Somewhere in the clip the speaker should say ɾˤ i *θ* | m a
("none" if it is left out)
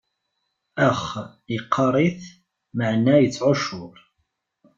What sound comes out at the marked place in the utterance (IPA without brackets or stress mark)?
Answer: θ